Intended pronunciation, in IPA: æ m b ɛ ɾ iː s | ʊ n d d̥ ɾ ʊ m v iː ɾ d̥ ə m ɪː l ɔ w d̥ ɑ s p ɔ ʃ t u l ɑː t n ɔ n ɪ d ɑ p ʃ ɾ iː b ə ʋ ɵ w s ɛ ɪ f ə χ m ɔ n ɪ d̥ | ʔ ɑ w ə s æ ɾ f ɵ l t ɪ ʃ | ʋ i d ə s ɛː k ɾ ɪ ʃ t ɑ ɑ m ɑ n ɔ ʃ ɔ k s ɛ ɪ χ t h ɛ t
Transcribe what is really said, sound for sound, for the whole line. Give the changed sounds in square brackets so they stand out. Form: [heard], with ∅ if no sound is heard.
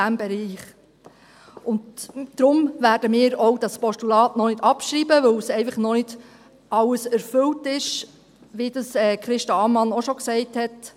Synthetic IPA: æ m b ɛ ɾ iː [χ] | ʊ n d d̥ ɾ ʊ m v [æː] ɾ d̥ ə m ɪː [ɾ] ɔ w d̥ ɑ s p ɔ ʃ t u l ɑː t n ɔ n ɪ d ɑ p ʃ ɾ iː b ə ʋ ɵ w s ɛ ɪ f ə χ [n] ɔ n ɪ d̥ | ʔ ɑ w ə s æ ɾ f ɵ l t ɪ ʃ | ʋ i d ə s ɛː k ɾ ɪ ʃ t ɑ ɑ m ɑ n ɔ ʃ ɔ k s ɛ ɪ [∅] t h ɛ t